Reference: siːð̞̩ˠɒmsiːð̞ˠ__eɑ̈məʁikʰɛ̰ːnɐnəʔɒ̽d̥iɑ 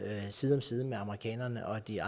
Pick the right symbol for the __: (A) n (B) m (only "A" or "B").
B